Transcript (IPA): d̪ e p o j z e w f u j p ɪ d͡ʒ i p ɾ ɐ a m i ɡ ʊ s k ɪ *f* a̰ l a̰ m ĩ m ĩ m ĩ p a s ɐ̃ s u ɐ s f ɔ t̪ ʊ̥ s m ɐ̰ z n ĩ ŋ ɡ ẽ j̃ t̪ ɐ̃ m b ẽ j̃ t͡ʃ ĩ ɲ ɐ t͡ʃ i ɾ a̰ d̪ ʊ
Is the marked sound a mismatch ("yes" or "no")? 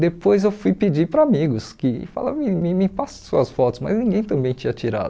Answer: no